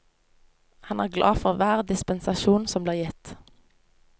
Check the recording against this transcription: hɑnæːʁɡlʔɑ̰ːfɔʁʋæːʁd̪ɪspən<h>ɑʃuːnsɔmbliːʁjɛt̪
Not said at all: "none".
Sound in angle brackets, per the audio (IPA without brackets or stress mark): s